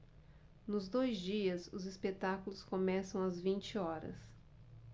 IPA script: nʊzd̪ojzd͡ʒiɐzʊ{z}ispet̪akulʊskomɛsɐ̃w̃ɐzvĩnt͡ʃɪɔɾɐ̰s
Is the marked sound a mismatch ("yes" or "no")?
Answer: no